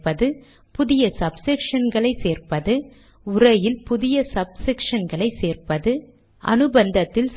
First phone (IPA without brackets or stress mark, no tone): p